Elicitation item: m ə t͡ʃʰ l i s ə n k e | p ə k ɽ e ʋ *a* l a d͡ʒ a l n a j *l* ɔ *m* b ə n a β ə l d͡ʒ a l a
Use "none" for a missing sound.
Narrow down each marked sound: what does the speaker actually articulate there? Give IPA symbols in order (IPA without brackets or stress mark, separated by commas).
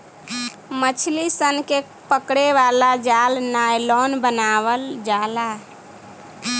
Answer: a, l, n